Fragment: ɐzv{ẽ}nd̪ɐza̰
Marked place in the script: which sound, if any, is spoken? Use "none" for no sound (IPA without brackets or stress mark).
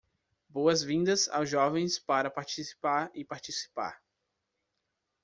ĩ